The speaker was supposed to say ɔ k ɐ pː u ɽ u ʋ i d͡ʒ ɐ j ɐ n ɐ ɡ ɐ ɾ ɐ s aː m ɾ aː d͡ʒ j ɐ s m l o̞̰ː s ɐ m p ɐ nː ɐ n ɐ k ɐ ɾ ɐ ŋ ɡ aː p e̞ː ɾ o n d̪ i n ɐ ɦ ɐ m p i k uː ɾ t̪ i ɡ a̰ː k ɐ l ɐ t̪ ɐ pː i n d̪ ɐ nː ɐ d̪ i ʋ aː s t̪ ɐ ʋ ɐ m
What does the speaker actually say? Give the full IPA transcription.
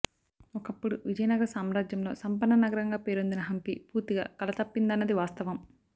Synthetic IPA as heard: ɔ k ɐ pː u ɽ u ʋ i d͡ʒ ɐ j ɐ n ɐ ɡ ɐ ɾ ɐ s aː m ɾ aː d͡ʒ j ɐ m l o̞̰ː s ɐ m p ɐ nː ɐ n ɐ ɡ ɐ ɾ ɐ ŋ ɡ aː p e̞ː ɾ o n d̪ i n ɐ ɦ ɐ m p i p uː ɾ t̪ i ɡ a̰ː k ɐ l ɐ t̪ ɐ pː i n d̪ ɐ nː ɐ d̪ i ʋ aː s t̪ ɐ ʋ ɐ m